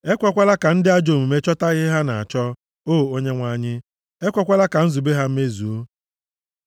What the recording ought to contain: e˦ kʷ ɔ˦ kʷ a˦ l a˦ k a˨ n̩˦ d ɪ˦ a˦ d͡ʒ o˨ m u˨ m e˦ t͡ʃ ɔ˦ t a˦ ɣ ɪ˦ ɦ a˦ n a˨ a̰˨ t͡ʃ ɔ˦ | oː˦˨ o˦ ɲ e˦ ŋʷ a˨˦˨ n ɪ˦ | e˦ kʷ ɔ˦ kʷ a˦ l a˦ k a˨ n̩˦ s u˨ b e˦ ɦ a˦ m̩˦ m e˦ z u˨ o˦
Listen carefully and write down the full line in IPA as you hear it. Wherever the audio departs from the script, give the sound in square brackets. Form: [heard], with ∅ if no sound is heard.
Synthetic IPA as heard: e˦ kʷ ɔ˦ kʷ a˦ l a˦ k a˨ n̩˦ d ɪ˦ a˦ d͡ʒ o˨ m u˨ m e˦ t͡ʃ ɔ˦ t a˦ ɣ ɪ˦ ɦ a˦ n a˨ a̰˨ t͡ʃ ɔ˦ | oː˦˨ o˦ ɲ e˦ ŋʷ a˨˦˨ [ɲ] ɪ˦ | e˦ kʷ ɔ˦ kʷ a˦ l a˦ k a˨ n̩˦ [z] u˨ b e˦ ɦ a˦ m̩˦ m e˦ z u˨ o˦